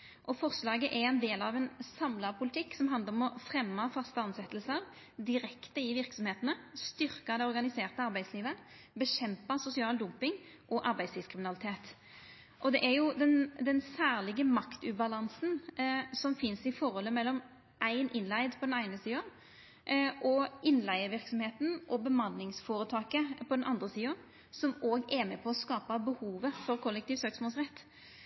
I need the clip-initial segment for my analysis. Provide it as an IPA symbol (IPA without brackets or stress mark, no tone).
ʔ